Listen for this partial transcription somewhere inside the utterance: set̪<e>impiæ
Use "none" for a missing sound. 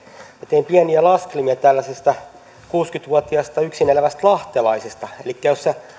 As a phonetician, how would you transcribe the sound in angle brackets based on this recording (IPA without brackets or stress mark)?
e